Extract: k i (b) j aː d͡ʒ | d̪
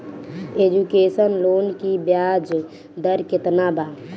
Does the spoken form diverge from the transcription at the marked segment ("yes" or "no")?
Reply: no